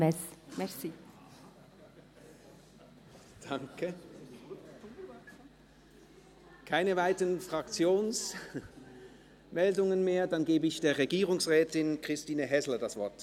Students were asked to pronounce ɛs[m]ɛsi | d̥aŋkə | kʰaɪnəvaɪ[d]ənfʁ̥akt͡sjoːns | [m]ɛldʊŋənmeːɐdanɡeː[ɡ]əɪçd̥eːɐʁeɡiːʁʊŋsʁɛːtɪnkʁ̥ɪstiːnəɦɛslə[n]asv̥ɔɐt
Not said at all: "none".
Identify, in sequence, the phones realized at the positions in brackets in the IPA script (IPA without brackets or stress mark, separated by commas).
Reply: m, t, m, b, d